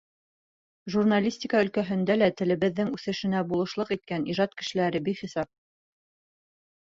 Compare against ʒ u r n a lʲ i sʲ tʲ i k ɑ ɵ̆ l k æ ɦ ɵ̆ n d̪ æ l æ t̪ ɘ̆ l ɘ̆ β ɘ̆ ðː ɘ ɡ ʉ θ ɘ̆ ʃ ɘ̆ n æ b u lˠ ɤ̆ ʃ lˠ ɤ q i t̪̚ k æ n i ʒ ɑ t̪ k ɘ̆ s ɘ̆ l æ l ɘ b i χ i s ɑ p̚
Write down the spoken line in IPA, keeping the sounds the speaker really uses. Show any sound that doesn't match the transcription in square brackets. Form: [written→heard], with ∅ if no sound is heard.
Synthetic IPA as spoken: ʒ u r n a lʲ i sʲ tʲ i k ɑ ɵ̆ l k æ ɦ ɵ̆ n d̪ æ l æ t̪ ɘ̆ l ɘ̆ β ɘ̆ ðː ɘ [ɡ→ŋ] ʉ θ ɘ̆ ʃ ɘ̆ n æ b u lˠ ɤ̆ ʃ lˠ ɤ q i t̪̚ k æ n i ʒ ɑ t̪ k ɘ̆ [s→ʃ] ɘ̆ l æ [l→ɾ] ɘ b i χ i s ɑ p̚

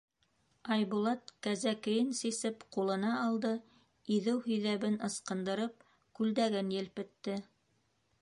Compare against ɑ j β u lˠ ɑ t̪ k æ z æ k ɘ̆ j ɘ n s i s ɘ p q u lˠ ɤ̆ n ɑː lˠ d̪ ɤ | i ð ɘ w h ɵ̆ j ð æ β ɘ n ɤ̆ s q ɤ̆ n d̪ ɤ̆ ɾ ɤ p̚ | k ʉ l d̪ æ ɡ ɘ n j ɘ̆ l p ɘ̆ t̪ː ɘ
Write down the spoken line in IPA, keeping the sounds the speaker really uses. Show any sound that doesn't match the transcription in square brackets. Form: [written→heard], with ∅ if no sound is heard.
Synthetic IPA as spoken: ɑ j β u lˠ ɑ t̪ k æ z æ k ɘ̆ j ɘ n s i s ɘ p q u lˠ ɤ̆ n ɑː lˠ d̪ ɤ | i ð ɘ w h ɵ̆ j ð æ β ɘ n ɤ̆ s q ɤ̆ n d̪ ɤ̆ ɾ ɤ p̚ | k ʉ l d̪ æ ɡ ɘ n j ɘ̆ l p ɘ̆ t̪ː ɘ

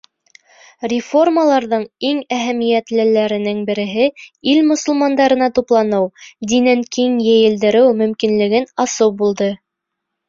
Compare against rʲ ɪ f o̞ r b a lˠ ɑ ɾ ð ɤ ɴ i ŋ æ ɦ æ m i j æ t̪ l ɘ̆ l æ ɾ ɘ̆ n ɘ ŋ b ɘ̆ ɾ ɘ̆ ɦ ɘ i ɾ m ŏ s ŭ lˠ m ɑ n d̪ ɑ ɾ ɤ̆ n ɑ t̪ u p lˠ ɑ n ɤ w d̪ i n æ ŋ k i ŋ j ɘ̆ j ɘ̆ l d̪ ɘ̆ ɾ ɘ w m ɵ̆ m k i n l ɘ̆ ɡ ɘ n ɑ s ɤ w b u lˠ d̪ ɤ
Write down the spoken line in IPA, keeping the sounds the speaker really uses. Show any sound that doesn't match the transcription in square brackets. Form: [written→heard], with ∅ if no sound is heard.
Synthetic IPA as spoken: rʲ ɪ f o̞ r [b→m] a lˠ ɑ ɾ ð ɤ ɴ i ŋ æ ɦ æ m i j æ t̪ l ɘ̆ l æ ɾ ɘ̆ n ɘ ŋ b ɘ̆ ɾ ɘ̆ ɦ ɘ i [ɾ→l] m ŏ s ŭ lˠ m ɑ n d̪ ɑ ɾ ɤ̆ n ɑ t̪ u p lˠ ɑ n ɤ w d̪ i n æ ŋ k i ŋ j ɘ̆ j ɘ̆ l d̪ ɘ̆ ɾ ɘ w m ɵ̆ m k i n l ɘ̆ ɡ ɘ n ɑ s ɤ w b u lˠ d̪ ɤ

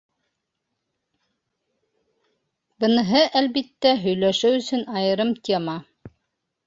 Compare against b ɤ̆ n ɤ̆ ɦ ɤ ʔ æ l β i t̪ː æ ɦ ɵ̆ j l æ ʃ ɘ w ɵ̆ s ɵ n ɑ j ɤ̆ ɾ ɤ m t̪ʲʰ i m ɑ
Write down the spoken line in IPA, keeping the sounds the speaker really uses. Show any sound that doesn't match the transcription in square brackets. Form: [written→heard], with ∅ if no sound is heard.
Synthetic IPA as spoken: b ɤ̆ n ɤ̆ ɦ ɤ ʔ æ l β i t̪ː æ ɦ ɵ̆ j l æ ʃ ɘ w ɵ̆ s ɵ n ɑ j ɤ̆ ɾ ɤ m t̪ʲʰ [i→e] m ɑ

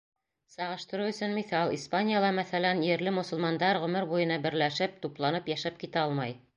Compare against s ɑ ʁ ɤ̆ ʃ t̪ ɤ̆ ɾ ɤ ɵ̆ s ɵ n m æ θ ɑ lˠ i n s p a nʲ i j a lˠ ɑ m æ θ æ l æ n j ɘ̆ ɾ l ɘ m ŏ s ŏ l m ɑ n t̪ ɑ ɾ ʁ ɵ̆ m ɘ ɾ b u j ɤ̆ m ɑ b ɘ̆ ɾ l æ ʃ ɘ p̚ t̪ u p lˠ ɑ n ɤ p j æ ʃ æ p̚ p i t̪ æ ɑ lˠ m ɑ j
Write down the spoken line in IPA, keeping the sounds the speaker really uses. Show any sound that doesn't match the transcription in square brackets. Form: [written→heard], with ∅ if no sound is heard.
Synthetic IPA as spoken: s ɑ ʁ ɤ̆ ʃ t̪ ɤ̆ ɾ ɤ ɵ̆ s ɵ n m [æ→i] θ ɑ lˠ i [n→∅] s p a nʲ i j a lˠ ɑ m æ θ æ l æ n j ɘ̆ ɾ l ɘ m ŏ s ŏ l m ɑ n [t̪→d̪] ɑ ɾ ʁ ɵ̆ m ɘ ɾ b u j ɤ̆ [m→n] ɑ b ɘ̆ ɾ l æ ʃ ɘ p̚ t̪ u p lˠ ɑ n ɤ p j æ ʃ æ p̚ [p→k] i t̪ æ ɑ lˠ m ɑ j

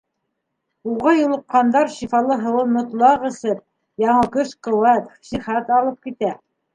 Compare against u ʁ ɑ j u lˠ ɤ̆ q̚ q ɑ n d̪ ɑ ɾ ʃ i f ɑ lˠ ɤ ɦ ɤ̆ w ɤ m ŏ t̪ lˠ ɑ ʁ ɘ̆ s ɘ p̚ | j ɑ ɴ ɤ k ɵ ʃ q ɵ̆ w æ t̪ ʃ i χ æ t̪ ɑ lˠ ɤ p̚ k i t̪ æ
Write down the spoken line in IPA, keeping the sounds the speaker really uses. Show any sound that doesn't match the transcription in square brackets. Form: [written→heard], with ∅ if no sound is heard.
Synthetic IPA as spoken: u ʁ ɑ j u lˠ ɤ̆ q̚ q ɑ n d̪ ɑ ɾ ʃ i f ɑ lˠ ɤ ɦ ɤ̆ w ɤ m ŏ t̪ lˠ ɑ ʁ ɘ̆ s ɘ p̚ | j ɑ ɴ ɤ k ɵ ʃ q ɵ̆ w æ t̪ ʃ i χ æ t̪ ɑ lˠ ɤ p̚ k i t̪ æ

